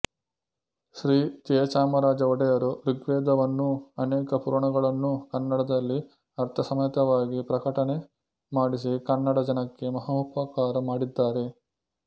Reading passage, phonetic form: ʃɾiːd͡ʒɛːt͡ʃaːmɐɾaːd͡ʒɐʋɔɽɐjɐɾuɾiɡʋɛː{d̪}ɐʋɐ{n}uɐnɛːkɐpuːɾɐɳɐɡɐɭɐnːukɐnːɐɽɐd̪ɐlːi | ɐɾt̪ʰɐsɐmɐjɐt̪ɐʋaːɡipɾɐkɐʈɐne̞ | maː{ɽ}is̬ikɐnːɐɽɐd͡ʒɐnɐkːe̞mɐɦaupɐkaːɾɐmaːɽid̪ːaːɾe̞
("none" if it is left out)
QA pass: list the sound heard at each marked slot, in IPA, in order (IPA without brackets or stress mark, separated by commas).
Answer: d̪, nː, ɽ